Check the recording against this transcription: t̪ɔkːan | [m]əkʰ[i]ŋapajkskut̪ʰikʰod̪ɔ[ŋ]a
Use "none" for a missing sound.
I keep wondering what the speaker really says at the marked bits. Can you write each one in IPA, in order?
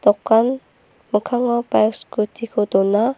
m, a, n

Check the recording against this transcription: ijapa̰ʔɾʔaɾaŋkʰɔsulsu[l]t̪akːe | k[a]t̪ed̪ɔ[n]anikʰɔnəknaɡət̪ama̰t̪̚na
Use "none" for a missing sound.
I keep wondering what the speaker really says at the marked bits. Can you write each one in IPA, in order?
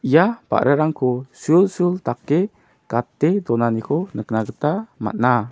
l, a, n

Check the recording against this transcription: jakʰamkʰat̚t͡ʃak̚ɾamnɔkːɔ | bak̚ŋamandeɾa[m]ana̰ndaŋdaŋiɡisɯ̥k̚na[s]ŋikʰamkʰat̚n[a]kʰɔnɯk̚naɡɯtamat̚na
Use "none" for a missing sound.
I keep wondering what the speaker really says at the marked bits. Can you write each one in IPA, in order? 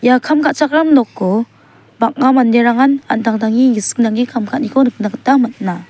ŋ, none, i

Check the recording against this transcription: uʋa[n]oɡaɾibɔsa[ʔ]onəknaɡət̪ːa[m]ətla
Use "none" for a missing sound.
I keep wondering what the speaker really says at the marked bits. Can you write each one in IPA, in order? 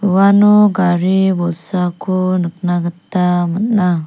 n, k, m

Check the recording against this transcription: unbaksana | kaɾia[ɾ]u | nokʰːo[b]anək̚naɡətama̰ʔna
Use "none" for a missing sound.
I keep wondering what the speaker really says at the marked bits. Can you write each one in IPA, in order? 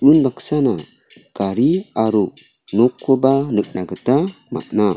ɾ, b

